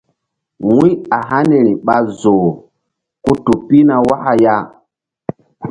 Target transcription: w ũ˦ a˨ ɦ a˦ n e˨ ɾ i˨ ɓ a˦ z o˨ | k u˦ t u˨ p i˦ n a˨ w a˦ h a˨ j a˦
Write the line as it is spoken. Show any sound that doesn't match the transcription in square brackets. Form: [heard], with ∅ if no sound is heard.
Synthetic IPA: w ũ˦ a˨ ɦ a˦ n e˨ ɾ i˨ ɓ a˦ z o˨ | k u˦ t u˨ p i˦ n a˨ w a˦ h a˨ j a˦